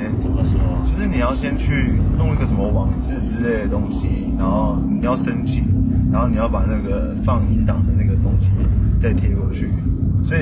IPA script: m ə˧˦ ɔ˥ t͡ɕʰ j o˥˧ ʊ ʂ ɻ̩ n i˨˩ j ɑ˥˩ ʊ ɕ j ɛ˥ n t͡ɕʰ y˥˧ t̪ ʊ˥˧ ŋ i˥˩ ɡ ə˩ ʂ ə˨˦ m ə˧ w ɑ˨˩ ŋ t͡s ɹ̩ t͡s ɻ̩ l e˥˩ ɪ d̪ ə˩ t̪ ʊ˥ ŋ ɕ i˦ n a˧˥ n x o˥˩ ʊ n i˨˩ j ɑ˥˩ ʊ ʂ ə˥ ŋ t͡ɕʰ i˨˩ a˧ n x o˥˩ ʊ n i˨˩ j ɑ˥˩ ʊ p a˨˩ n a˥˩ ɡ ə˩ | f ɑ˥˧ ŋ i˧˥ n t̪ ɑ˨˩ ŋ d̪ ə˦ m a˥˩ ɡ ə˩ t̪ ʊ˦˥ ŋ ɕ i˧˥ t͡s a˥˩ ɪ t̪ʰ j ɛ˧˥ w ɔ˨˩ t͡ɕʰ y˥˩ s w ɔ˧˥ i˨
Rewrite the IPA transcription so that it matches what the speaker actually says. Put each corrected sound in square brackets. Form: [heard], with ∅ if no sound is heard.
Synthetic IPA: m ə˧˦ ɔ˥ [t͡ɕ] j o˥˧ ʊ ʂ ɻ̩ n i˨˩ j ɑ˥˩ ʊ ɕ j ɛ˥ n t͡ɕʰ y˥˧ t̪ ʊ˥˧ ŋ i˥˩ ɡ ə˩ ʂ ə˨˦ m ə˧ w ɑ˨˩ ŋ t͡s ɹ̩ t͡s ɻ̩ l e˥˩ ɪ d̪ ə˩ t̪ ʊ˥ ŋ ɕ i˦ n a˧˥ n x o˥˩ ʊ n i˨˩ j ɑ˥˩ ʊ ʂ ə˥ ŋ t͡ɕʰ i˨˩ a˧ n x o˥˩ ʊ n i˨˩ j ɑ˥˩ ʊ p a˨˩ n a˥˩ ɡ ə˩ | f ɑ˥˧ ŋ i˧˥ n t̪ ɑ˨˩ ŋ d̪ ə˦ [n] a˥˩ ɡ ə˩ t̪ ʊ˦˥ ŋ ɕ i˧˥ t͡s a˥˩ ɪ t̪ʰ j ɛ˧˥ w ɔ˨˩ t͡ɕʰ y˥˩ s w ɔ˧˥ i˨